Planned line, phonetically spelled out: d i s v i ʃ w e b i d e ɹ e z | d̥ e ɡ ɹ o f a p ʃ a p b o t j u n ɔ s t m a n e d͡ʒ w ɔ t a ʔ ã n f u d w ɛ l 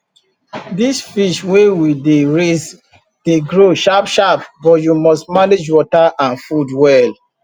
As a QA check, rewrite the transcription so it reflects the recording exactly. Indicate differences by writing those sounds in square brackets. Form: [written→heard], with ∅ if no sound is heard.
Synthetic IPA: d i s [v→f] i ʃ w e [b→w] i d e ɹ e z | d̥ e ɡ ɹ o [f→ʃ] a p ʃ a p b [o→ɔ] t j u [n→m] ɔ s t m a n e d͡ʒ w ɔ t a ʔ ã n f u d w ɛ l